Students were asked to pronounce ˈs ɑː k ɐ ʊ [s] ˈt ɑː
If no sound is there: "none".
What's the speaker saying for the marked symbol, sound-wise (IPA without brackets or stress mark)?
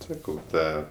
none